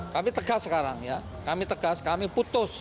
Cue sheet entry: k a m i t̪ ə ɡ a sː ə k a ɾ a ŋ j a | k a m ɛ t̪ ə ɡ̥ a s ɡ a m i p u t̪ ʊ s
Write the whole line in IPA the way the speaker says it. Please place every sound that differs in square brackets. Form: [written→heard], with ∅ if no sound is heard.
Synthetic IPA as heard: k a m i t̪ ə ɡ a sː ə k a ɾ a ŋ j a | k a m [ɛ→i] t̪ ə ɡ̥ a s [ɡ→k] a m i p u t̪ ʊ s

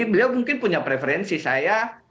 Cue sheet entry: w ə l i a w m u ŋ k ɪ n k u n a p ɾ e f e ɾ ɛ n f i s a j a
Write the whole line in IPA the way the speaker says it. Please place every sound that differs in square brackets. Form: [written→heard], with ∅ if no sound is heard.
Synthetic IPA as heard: [w→b] ə l i a w m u ŋ k ɪ n [k→p] u [n→ɲ] a p ɾ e f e ɾ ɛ n [f→s] i s a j a

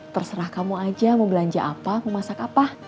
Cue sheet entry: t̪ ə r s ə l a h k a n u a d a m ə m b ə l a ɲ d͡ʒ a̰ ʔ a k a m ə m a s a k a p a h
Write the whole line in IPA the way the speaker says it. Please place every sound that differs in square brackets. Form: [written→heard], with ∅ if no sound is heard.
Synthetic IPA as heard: t̪ ə r s ə [l→ɾ] a h k a [n→m] u a [d→d͡ʒ] a m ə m b ə l a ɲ d͡ʒ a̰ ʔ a [k→p] a m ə m a s a k a p a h

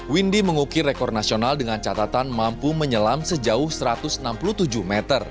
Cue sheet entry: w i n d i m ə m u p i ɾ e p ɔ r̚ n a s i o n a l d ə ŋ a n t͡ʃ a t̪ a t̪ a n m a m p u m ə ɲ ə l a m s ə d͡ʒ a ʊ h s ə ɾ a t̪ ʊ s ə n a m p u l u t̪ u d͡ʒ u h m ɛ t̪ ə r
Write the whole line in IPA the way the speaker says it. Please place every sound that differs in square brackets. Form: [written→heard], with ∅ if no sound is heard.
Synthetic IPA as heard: w i n d i m ə [m→ŋ] u [p→k] i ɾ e [p→k] ɔ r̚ n a s i o n a l d ə ŋ a n t͡ʃ a t̪ a t̪ a n m a m p u m ə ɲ ə l a m s ə d͡ʒ a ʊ h s ə ɾ a t̪ ʊ s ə n a m p u l u t̪ u d͡ʒ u h m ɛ t̪ ə r

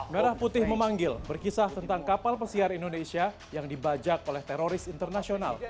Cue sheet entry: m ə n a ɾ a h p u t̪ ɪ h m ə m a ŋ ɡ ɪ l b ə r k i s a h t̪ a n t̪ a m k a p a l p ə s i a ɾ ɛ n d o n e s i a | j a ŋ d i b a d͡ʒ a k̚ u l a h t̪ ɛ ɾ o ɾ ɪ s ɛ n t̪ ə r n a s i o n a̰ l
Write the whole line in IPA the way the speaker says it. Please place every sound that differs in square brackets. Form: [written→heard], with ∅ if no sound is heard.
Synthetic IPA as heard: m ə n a ɾ a h p u t̪ ɪ h m ə m a ŋ ɡ ɪ l b ə r k i s a h t̪ [a→ə] n t̪ a [m→ŋ] k a p a l p ə s i a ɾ [ɛ→i] n d o n e s i a | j a ŋ d i b a d͡ʒ a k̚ [u→o] l [a→ɛ] h t̪ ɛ ɾ o ɾ ɪ s [ɛ→i] n t̪ ə r n a s i o n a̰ l

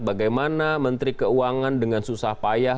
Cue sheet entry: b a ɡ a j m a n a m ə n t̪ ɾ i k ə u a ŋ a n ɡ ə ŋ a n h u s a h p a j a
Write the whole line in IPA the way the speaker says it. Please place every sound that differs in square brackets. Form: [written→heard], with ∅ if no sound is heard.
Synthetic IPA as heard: b a ɡ a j m a n a m ə n t̪ ɾ i k ə u a ŋ a n [ɡ→d] ə ŋ a n [h→s] u s a h p a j a

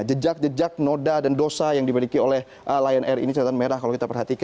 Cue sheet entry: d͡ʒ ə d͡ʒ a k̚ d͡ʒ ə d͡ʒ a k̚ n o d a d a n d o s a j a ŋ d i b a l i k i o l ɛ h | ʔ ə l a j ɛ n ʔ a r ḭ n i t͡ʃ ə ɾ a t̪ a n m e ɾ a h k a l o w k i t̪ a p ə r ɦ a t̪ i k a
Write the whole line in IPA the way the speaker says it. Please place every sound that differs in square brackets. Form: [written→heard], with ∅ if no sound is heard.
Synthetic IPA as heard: d͡ʒ ə d͡ʒ a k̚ d͡ʒ ə d͡ʒ a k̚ n o d a d a n d o s a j a ŋ d i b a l i k i o l ɛ h | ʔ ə l a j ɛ n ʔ [a→ɛ] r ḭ n i t͡ʃ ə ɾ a t̪ a n m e ɾ a h k a l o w k i t̪ a p ə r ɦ a t̪ i k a

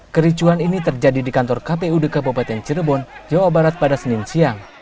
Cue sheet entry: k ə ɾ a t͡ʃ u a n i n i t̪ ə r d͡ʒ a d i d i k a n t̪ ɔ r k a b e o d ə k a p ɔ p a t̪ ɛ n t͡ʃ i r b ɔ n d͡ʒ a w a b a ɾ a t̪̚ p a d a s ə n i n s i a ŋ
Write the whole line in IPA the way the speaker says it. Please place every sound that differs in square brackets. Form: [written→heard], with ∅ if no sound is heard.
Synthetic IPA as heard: k ə ɾ [a→i] t͡ʃ u a n i n i t̪ ə r d͡ʒ a d i d i k a n t̪ ɔ r k a [b→p] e [o→u] d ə k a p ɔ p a t̪ ɛ n t͡ʃ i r b ɔ n d͡ʒ a w a b a ɾ a t̪̚ p a d a s ə n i n s i a ŋ

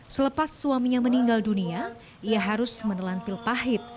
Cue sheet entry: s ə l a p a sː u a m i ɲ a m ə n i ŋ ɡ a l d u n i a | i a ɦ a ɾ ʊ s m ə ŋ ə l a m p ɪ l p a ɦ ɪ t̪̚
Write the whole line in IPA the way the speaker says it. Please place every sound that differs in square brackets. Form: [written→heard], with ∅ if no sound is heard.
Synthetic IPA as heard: s ə l [a→ə] p a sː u a m i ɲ a m ə n i ŋ ɡ a l d u n i a | i a ɦ a ɾ ʊ s m ə [ŋ→n] ə l a [m→n] p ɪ l p a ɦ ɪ t̪̚

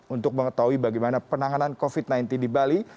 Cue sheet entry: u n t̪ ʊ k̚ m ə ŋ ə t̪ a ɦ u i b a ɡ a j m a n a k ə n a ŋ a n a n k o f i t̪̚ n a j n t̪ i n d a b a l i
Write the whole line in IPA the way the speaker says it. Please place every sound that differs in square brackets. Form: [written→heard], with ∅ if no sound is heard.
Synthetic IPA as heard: u n t̪ ʊ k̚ m ə ŋ ə t̪ a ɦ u i b a ɡ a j m a n a [k→p] ə n a ŋ a n a n k o f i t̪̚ n a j n t̪ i n d [a→i] b a l i

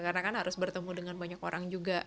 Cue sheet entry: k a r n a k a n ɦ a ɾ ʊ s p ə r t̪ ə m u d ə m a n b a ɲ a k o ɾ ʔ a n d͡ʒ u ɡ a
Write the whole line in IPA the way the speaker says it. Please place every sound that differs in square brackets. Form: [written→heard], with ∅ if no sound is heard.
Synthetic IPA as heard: k a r n a k a n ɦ a ɾ ʊ s [p→b] ə r t̪ ə m u d ə [m→ŋ] a n b a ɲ a k o ɾ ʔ a [n→ŋ] d͡ʒ u ɡ a

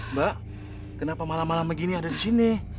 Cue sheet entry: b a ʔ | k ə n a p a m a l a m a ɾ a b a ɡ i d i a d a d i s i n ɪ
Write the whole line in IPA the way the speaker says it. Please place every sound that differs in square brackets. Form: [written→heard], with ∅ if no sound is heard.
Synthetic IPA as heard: b a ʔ | k ə n a p a m a l a m a [ɾ→l] a [b→m] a ɡ i [d→n] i a d a d i s i n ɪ

